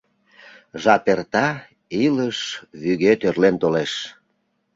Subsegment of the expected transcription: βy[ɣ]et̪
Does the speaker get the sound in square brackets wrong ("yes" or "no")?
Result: no